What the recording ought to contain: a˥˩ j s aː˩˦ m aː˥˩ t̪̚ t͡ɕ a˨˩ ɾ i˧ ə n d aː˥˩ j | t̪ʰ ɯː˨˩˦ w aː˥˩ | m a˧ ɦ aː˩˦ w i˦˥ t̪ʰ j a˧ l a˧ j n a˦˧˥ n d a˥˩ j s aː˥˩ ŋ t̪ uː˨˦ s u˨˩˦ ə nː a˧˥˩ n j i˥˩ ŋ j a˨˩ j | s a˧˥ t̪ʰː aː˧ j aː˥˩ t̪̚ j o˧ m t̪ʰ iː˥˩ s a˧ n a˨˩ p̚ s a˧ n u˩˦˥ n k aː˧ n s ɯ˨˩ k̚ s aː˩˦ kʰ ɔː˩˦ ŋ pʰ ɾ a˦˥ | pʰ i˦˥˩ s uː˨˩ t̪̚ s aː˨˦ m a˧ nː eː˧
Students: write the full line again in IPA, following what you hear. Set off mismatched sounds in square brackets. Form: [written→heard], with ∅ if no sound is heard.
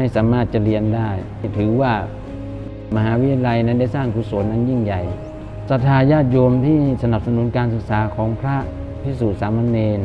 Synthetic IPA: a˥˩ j s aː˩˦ m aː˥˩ t̪̚ t͡ɕ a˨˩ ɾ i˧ ə n d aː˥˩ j | t̪ʰ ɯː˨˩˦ w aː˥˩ | m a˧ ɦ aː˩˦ w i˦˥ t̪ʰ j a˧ l a˧ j n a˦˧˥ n d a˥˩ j s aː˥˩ ŋ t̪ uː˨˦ s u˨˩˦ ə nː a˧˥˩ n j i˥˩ ŋ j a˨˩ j | s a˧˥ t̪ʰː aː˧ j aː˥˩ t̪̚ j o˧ m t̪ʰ iː˥˩ s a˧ n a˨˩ p̚ s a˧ n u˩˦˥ n k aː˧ n s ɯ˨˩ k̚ s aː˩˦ kʰ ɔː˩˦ ŋ pʰ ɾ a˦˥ | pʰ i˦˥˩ s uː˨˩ t̪̚ s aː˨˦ m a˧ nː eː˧

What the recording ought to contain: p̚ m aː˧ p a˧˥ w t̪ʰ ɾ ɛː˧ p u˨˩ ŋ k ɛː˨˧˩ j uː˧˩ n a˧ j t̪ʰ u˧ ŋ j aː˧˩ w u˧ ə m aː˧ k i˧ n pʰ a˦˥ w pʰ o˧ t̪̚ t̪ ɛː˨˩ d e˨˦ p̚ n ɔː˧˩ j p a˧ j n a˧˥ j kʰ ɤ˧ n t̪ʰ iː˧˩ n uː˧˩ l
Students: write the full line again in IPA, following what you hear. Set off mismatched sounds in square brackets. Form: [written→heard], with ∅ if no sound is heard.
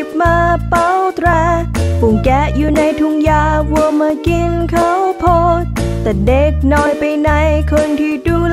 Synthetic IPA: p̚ m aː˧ p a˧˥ w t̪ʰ ɾ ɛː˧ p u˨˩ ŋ k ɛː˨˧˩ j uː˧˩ n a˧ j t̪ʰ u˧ ŋ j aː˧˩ w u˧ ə m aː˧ k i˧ n [pʰ→kʰ] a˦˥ w pʰ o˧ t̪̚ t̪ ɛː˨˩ d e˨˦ [p̚→k̚] n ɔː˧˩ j p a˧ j n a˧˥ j kʰ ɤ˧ n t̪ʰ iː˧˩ [n→d] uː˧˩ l

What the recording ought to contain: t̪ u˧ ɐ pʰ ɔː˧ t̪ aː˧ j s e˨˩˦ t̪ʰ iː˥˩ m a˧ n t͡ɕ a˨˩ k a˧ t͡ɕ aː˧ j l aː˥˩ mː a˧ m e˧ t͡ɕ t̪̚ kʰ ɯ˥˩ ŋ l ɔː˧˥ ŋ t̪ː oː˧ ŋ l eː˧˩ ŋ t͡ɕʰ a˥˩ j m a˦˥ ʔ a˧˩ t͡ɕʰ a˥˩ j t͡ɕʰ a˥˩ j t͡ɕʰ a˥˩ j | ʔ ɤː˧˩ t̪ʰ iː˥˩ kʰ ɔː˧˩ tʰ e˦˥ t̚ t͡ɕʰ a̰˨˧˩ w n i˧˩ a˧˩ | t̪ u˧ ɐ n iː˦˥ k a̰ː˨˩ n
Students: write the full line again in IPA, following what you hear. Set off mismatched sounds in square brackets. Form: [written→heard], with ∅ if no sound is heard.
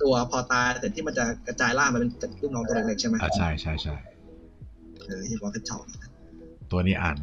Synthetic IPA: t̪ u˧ ɐ pʰ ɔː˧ t̪ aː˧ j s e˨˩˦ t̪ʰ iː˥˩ m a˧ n t͡ɕ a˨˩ k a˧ t͡ɕ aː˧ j l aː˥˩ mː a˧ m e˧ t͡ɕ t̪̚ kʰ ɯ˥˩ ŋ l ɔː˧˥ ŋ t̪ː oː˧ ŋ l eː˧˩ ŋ t͡ɕʰ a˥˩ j m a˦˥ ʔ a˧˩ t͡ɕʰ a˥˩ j t͡ɕʰ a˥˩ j t͡ɕʰ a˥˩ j | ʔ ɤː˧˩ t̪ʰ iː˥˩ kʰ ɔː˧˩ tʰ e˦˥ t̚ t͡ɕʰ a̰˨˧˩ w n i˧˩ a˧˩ | t̪ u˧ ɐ n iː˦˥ [k→ʔ] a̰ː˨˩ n

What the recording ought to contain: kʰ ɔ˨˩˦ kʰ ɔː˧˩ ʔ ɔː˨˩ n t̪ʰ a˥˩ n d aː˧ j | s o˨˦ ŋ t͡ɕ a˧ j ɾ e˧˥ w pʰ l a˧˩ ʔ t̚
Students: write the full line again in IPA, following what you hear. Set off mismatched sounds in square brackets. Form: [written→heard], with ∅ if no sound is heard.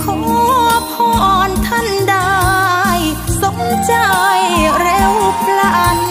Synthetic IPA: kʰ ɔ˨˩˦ [kʰ→pʰ] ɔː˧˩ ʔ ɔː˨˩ n t̪ʰ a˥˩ n d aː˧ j | s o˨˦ ŋ t͡ɕ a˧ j ɾ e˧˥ w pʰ l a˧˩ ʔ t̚

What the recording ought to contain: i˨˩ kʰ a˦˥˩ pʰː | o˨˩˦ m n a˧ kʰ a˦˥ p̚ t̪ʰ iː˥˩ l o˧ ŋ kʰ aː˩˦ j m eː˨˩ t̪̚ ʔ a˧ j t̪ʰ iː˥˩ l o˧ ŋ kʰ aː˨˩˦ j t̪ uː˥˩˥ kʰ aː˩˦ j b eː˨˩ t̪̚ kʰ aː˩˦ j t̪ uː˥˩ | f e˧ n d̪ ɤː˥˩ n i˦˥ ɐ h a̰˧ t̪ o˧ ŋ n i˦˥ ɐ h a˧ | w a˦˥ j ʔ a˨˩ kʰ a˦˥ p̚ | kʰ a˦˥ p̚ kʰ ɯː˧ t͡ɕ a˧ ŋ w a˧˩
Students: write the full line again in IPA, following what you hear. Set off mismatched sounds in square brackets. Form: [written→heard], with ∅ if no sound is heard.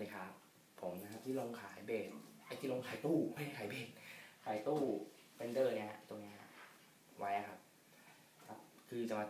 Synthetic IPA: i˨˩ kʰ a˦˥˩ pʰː | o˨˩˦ m n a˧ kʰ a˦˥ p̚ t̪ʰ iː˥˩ l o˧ ŋ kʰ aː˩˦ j [m→b] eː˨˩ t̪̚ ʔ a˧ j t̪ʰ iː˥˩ l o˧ ŋ kʰ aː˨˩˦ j t̪ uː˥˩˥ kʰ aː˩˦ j b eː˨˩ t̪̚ kʰ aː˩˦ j t̪ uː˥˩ | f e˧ n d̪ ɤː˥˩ n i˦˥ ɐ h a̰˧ t̪ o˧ ŋ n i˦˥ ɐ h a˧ | w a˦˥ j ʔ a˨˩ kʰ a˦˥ p̚ | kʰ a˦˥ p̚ kʰ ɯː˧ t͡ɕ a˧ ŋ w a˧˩

